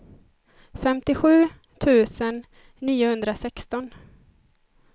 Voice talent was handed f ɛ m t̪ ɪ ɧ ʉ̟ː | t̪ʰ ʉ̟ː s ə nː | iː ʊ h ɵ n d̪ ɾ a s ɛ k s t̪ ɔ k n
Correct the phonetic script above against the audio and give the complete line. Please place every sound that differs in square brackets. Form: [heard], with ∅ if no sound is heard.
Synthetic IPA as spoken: f ɛ m t̪ ɪ ɧ ʉ̟ː | t̪ʰ ʉ̟ː s ə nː | iː ʊ h ɵ n d̪ ɾ a s ɛ k s t̪ ɔ [∅] n